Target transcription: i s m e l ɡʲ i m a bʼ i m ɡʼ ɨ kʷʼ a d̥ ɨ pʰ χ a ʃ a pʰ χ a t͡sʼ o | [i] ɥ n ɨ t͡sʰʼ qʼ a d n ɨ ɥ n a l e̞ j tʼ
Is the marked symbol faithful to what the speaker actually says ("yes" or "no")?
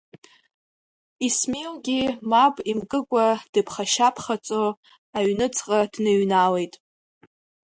no